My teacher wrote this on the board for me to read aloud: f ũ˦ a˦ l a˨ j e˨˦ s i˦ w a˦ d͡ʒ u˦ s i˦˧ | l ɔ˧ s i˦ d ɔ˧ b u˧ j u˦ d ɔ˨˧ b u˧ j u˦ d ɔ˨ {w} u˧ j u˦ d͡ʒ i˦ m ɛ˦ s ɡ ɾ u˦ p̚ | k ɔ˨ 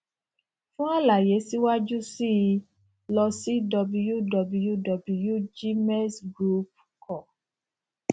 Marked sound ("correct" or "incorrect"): incorrect